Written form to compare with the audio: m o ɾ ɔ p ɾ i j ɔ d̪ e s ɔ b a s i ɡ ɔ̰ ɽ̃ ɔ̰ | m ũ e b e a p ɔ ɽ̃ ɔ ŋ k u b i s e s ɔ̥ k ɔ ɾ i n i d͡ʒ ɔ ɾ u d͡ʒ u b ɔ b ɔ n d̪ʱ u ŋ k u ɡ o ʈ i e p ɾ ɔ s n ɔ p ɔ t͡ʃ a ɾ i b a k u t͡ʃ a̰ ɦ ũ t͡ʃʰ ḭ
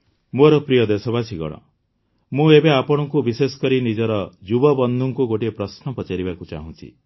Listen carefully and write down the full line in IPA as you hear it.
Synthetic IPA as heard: m o ɾ ɔ p ɾ i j ɔ d̪ e s ɔ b a s i ɡ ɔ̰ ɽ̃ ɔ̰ | m ũ e b e a p ɔ ɽ̃ ɔ ŋ k u b i s e s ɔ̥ k ɔ ɾ i n i d͡ʒ ɔ ɾ ɔ d͡ʒ u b ɔ b ɔ n d̪ʱ u ŋ k u ɡ o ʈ i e p ɾ ɔ s n ɔ p ɔ t͡ʃ a ɾ i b a k u t͡ʃ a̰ ɦ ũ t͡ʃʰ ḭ

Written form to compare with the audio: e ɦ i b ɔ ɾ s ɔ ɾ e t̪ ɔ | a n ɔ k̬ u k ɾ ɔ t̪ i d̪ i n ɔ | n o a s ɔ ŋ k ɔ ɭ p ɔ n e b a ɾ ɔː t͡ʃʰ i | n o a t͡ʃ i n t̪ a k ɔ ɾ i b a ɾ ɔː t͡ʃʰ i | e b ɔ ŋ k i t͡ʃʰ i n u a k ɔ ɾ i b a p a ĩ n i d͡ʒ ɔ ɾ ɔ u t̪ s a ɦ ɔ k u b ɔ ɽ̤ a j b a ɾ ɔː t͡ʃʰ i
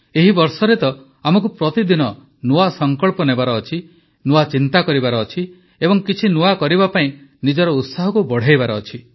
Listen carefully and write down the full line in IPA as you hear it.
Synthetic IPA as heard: e ɦ i b ɔ ɾ s ɔ ɾ e t̪ ɔ | a m ɔ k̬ u p ɾ ɔ t̪ i d̪ i n ɔ | n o a s ɔ ŋ k ɔ ɭ p ɔ n e b a ɾ ɔː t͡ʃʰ i | n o a t͡ʃ i n t̪ a k ɔ ɾ i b a ɾ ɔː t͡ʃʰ i | e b ɔ ŋ k i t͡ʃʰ i n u a k ɔ ɾ i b a p a ĩ n i d͡ʒ ɔ ɾ ɔ u t̪ s a ɦ ɔ k u b ɔ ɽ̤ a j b a ɾ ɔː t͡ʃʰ i

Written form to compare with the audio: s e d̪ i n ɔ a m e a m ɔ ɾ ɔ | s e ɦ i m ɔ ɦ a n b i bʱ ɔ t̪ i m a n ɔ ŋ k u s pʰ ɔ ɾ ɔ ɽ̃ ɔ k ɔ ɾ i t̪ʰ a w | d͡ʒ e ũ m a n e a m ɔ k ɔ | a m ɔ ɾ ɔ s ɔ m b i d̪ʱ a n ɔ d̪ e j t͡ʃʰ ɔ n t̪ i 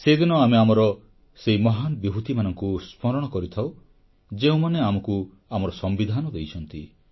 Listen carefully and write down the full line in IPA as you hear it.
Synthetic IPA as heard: s e d̪ i n ɔ a m e a m ɔ ɾ ɔ | s e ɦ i m ɔ ɦ a n b i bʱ u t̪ i m a n ɔ ŋ k u s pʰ ɔ ɾ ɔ ɽ̃ ɔ k ɔ ɾ i t̪ʰ a w | d͡ʒ e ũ m a n e a m ɔ k u | a m ɔ ɾ ɔ s ɔ m b i d̪ʱ a n ɔ d̪ e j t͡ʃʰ ɔ n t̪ i

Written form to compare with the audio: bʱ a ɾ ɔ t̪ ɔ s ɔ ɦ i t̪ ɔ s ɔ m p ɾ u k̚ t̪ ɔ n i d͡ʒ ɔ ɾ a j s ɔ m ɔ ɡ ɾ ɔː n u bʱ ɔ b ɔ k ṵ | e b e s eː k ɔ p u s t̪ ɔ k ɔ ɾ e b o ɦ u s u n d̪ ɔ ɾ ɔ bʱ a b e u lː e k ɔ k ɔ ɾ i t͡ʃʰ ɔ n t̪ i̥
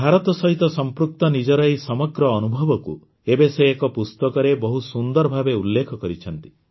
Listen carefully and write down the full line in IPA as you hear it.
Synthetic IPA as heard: bʱ a ɾ ɔ t̪ ɔ s ɔ ɦ i t̪ ɔ s ɔ m p ɾ u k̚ t̪ ɔ n i d͡ʒ ɔ ɾ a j s ɔ m ɔ ɡ ɾ ɔː n u bʱ ɔ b ɔ k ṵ | e b e s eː k ɔ p u s t̪ ɔ k ɔ ɾ e b ɔ ɦ u s u n d̪ ɔ ɾ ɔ bʱ a b e u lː e kʰ ɔ k ɔ ɾ i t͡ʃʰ ɔ n t̪ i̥

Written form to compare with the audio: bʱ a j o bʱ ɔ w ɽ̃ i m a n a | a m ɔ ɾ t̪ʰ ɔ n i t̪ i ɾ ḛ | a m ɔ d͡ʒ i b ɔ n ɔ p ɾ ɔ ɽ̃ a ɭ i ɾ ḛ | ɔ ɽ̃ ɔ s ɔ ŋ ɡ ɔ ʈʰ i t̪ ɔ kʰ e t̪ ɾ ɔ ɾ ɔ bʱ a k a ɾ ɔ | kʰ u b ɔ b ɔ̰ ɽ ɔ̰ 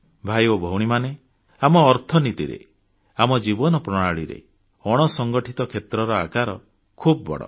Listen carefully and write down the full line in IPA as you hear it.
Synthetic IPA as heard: bʱ a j o bʱ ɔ w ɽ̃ i m a n e | a m ɔː ɾ t̪ʰ ɔ n i t̪ i ɾ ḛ | a m ɔ d͡ʒ i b ɔ n ɔ p ɾ ɔ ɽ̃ a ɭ i ɾ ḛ | ɔ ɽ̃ ɔ s ɔ ŋ ɡ ɔ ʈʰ i t̪ ɔ kʰ e t̪ ɾ ɔ ɾ ɔ a k a ɾ ɔ | kʰ u b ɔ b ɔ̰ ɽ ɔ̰

